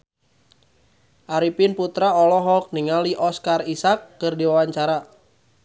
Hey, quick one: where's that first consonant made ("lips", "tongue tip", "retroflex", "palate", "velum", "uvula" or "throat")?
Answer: throat